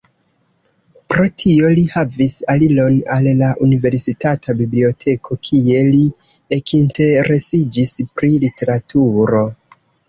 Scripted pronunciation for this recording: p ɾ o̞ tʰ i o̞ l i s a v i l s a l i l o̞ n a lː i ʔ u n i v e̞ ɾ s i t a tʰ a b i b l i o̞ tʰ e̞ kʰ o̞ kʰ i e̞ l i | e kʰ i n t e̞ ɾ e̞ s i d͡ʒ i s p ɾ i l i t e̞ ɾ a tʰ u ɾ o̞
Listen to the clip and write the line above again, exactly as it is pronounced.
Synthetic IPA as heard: p ɾ o̞ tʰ i o̞ l i h a v i s a l i l o̞ n a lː a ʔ u n i v e̞ ɾ s i t a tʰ a b i b l i o̞ tʰ e̞ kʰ o̞ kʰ i e̞ l i | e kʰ i n t e̞ ɾ e̞ s i d͡ʒ i s p ɾ i l i t e̞ ɾ a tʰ u ɾ o̞

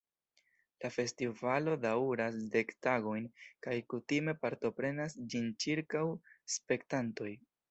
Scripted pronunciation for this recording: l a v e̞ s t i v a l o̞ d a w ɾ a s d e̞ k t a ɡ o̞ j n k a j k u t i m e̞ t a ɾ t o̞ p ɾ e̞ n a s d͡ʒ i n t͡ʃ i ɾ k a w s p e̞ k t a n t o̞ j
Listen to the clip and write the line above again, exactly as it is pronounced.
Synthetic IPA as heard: l a f e̞ s t i v a l o̞ d a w ɾ a s d e̞ k t a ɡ o̞ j n k a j k u t i m e̞ p a ɾ t o̞ p ɾ e̞ n a s d͡ʒ i n t͡ʃ i ɾ k a w s p e̞ k t a n t o̞ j

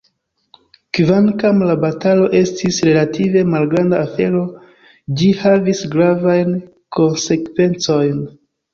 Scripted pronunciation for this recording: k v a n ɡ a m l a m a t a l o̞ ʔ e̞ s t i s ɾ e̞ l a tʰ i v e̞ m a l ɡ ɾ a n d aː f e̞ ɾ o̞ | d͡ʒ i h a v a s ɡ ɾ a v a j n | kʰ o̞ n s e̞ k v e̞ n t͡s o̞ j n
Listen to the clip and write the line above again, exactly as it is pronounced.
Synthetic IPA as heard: k v a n k a m l a b a t a l o̞ ʔ e̞ s t i s ɾ e̞ l a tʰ i v e̞ m a l ɡ ɾ a n d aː f e̞ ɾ o̞ | d͡ʒ i h a v i s ɡ ɾ a v a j n | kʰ o̞ n s e̞ k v e̞ n t͡s o̞ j n

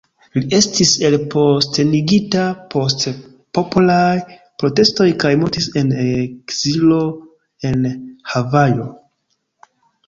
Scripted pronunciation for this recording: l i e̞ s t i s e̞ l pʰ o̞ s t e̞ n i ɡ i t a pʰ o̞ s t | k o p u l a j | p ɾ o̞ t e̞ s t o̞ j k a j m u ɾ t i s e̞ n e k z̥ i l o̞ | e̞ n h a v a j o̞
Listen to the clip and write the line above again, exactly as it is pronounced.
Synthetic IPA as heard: l i e̞ s t i s e̞ l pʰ o̞ s t e̞ n i ɡ i t a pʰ o̞ s t | p o p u l a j | p ɾ o̞ t e̞ s t o̞ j k a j m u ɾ t i s e̞ n e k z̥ i l o̞ | e̞ n h a v a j o̞

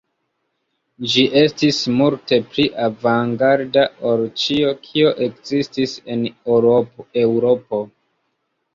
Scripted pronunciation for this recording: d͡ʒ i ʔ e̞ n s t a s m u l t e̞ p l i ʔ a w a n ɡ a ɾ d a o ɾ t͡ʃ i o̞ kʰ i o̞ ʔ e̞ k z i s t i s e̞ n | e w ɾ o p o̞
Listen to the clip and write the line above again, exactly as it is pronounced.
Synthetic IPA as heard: d͡ʒ i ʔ e̞ s t i s m u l t e̞ p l i ʔ a v a ŋ ɡ a ɾ d a o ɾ t͡ʃ i o̞ kʰ i o̞ ʔ e̞ k z i s t i s e̞ n | e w ɾ o p o̞

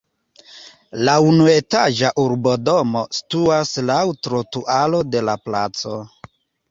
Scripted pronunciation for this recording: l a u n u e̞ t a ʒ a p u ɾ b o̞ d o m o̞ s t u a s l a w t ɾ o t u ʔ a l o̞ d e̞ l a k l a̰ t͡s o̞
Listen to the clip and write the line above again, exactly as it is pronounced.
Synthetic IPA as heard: l a u n u e̞ t a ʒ a ʔ u ɾ b o̞ d o m o̞ s t u a s l a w t ɾ o t u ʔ a l o̞ d e̞ l a p l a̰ t͡s o̞

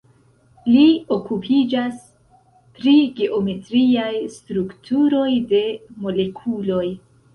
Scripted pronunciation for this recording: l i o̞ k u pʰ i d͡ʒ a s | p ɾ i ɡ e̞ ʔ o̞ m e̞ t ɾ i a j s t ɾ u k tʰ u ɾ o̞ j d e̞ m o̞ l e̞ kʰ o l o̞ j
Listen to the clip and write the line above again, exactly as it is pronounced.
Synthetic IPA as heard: l i o̞ k u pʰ i d͡ʒ a s | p ɾ i ɡ e̞ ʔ o̞ m e̞ t ɾ i a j s t ɾ u k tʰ u ɾ o̞ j d e̞ m o̞ l e̞ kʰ u l o̞ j

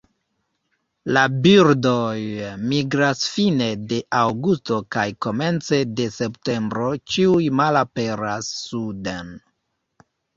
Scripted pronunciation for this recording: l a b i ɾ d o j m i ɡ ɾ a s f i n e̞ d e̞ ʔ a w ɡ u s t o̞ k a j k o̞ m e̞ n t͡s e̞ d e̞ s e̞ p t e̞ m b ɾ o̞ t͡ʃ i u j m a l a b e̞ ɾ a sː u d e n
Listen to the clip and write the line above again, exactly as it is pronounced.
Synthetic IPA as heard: l a b i ɾ d o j m i ɡ ɾ a s f i n e̞ d e̞ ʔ a w ɡ u s t o̞ k a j k o̞ m e̞ n t͡s e̞ d e̞ s e̞ p t e̞ m b ɾ o̞ t͡ʃ i u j m a l a p e̞ ɾ a sː u d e n

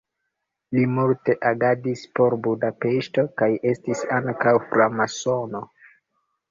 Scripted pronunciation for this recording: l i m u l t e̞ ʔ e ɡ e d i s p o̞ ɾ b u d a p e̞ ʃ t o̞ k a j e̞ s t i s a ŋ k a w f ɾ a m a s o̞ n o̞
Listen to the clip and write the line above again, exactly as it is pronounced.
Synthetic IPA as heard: l i m u l t e̞ ʔ a ɡ a d i s p o̞ ɾ b u d a p e̞ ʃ t o̞ k a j e̞ s t i s a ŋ k a w f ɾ a m a s o̞ n o̞

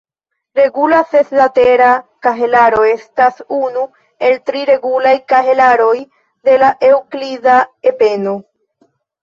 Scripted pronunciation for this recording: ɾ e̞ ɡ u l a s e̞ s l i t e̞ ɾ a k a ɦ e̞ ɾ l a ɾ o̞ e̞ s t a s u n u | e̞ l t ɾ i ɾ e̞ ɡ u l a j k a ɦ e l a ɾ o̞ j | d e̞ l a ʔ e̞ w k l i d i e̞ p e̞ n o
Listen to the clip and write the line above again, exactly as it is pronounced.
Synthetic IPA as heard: ɾ e̞ ɡ u l a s e̞ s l a t e̞ ɾ a k a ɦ e̞ l a ɾ o̞ e̞ s t a s u n u | e̞ l t ɾ i ɾ e̞ ɡ u l a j k a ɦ e l a ɾ o̞ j | d e̞ l a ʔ e̞ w k l i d a e̞ p e̞ n o

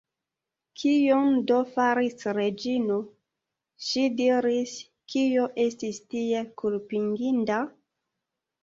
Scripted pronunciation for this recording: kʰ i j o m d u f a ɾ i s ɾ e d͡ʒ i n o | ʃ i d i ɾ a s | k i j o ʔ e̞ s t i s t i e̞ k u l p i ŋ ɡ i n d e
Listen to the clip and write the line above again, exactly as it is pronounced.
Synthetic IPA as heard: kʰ i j o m d o f a ɾ i s ɾ e d͡ʒ i n o | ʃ i d i ɾ i s | k i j o ʔ e̞ s t i s t i e̞ k u l p i ŋ ɡ i n d a

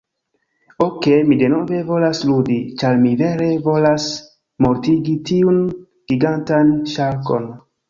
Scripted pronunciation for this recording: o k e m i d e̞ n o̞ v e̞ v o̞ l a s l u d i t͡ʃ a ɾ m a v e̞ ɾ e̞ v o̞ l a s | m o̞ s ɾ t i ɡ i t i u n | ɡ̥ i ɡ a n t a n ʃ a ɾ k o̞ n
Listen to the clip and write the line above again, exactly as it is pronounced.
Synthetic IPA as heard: o k e m i d e̞ n o̞ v e̞ v o̞ l a s l u d i t͡ʃ a ɾ m i v e̞ ɾ e̞ v o̞ l a s | m o̞ ɾ t i ɡ i t i u n | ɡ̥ i ɡ a n t a n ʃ a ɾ k o̞ n

